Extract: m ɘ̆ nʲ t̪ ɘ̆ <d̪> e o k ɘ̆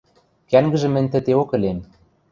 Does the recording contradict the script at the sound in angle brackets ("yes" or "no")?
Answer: yes